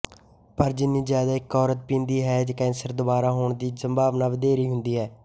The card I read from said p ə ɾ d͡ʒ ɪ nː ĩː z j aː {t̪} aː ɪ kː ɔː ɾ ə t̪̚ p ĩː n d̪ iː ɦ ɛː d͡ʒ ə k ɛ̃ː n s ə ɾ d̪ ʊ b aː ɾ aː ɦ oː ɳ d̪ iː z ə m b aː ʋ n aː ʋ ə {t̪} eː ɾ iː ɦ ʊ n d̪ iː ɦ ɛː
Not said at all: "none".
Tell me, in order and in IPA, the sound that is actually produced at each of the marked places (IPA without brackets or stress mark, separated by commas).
d̪, d̪